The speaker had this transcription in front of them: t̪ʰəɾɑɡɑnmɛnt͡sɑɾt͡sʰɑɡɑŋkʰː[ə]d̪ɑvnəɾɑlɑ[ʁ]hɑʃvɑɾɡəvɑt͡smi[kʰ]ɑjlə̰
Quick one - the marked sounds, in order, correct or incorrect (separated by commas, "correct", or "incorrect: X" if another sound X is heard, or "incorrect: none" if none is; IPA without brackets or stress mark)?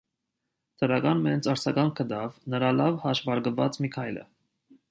correct, incorrect: v, correct